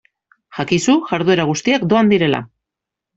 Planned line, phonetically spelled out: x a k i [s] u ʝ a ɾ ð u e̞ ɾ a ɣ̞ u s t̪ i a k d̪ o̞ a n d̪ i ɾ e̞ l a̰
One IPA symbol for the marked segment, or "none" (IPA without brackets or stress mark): s